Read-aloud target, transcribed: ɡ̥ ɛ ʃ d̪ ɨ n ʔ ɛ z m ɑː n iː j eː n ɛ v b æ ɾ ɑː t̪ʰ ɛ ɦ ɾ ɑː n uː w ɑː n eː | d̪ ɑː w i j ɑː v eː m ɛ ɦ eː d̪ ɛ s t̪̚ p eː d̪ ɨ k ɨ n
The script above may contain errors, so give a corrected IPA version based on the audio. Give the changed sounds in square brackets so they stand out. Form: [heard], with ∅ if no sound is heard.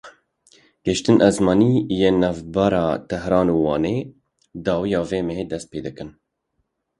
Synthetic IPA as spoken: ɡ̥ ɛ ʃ [t̪] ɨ n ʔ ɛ z m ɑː n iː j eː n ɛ v b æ ɾ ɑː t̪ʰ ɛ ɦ ɾ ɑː n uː w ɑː n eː | d̪ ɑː w i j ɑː v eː m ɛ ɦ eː d̪ ɛ s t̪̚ p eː d̪ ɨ k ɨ n